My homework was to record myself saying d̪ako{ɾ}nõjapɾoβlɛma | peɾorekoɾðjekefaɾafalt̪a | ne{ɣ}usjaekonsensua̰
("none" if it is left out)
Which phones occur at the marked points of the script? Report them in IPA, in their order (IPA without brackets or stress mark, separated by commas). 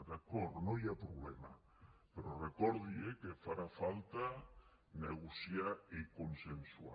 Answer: ɾ, ɣ